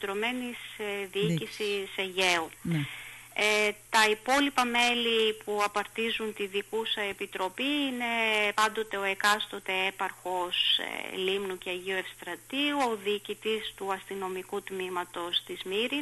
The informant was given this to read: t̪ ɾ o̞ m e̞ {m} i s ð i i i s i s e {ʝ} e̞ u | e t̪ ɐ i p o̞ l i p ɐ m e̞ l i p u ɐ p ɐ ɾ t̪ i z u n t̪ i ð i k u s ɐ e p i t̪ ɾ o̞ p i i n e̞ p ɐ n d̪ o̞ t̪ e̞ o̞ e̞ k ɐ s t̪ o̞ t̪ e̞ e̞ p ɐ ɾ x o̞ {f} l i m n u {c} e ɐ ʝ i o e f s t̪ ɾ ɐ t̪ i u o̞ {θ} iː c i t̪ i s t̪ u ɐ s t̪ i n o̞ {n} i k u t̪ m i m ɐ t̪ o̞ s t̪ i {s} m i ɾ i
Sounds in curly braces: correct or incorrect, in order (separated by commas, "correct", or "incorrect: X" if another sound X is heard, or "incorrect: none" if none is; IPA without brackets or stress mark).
incorrect: n, correct, incorrect: s, correct, incorrect: ð, incorrect: m, incorrect: z